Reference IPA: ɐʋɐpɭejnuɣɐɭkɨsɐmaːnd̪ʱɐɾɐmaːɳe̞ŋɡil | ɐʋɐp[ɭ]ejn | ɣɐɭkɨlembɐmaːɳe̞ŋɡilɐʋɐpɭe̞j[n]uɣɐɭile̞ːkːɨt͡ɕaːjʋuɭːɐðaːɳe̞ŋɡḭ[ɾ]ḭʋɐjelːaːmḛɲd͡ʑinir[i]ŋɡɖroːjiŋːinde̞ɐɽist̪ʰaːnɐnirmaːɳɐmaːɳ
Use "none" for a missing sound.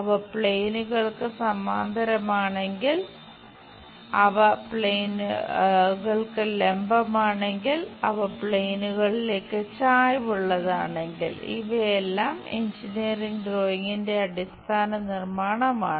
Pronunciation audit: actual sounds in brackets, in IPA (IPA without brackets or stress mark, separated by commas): ɭ, n, l, i